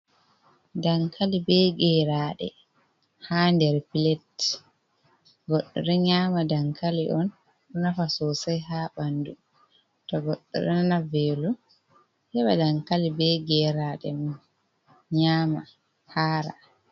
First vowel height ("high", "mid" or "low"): low